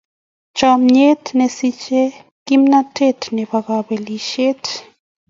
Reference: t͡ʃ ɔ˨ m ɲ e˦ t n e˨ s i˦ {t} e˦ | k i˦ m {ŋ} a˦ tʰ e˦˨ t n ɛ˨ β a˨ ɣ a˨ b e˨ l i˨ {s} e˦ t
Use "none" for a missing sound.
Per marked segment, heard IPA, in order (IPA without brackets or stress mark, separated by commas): t͡ʃ, n, ʃ